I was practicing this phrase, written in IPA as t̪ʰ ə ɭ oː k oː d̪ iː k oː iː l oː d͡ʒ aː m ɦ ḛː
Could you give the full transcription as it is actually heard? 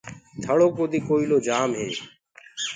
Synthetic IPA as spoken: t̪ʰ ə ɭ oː k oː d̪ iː k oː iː l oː d͡ʒ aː m ɦ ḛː